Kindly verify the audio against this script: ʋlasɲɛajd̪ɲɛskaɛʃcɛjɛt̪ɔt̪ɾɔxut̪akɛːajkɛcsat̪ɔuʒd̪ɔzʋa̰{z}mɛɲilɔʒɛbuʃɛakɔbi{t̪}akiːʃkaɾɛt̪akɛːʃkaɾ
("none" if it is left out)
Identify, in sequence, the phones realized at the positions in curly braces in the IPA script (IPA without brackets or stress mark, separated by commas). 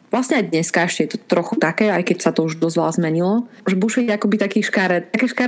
z, t̪